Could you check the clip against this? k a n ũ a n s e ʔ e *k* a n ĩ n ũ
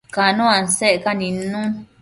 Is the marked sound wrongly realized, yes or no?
no